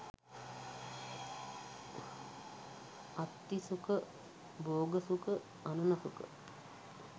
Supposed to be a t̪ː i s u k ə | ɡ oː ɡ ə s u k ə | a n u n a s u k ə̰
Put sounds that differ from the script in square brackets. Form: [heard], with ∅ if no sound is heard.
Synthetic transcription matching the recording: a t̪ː i s u k ə | [b] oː ɡ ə s u k ə | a n u n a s u k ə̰